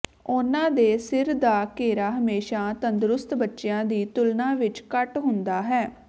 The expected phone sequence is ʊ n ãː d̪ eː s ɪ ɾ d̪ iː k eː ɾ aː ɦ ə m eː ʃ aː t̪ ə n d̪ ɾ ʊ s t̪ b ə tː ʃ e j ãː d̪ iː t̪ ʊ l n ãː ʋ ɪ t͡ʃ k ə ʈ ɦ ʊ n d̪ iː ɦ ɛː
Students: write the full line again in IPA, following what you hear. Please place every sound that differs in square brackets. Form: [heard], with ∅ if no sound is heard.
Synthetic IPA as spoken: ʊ n ãː d̪ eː s ɪ ɾ d̪ [aː] k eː ɾ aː ɦ ə m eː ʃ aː t̪ ə n d̪ ɾ ʊ s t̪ b ə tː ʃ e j ãː d̪ iː t̪ ʊ l n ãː ʋ ɪ t͡ʃ k ə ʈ ɦ ʊ n d̪ [aː] ɦ ɛː